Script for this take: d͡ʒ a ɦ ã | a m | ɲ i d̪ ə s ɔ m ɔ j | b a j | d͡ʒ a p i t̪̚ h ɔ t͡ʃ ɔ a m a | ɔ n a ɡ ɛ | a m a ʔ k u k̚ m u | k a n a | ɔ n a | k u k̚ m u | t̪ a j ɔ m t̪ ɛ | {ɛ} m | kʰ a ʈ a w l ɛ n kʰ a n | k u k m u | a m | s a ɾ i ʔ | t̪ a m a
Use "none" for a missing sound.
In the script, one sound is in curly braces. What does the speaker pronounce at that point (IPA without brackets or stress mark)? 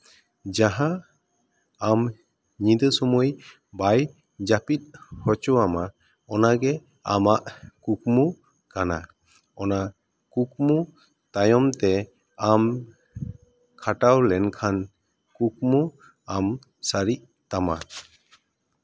a